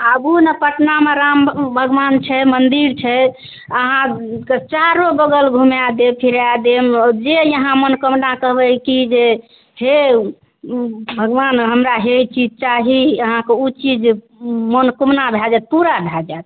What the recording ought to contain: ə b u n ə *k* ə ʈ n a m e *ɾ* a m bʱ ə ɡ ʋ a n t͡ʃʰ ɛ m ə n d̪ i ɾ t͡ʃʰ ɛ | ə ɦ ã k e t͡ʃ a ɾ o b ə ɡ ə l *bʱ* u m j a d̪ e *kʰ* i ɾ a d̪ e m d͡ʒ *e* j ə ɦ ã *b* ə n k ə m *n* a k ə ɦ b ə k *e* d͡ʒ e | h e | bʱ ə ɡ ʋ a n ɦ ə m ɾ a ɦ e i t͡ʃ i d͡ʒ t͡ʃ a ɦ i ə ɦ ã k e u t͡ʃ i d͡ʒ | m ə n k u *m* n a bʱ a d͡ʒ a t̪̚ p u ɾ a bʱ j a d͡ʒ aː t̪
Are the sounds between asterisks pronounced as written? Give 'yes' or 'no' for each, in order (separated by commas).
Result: no, yes, no, no, yes, no, yes, no, yes